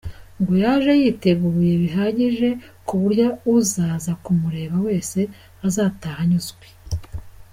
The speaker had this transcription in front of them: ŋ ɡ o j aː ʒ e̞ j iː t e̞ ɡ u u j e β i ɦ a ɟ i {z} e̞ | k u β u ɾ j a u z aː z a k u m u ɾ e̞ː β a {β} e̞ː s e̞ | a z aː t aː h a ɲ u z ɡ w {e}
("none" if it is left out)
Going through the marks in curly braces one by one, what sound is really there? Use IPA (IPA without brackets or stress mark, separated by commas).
ʒ, w, e